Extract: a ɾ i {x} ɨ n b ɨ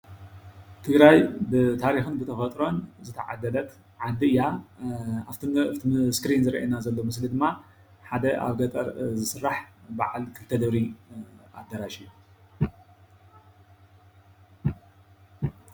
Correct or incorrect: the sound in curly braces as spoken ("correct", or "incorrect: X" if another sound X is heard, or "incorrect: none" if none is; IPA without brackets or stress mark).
correct